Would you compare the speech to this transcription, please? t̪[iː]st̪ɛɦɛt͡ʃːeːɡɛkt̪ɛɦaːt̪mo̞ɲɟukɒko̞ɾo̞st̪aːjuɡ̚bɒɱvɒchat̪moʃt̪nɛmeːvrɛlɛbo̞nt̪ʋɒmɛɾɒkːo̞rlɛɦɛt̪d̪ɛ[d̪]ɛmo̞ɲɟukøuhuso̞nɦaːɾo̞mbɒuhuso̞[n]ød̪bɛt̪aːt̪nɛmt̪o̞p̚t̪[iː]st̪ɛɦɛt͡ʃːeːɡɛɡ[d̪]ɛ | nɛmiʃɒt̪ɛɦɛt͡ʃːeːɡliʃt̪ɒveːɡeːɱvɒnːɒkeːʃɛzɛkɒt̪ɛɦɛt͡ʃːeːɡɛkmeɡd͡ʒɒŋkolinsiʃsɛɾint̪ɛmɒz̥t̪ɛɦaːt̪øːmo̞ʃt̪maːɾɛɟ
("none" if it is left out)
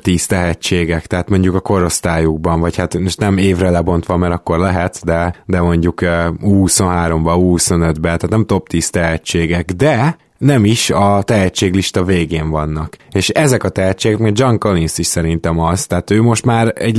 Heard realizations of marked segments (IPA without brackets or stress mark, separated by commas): iː, d̪, n, iː, d̪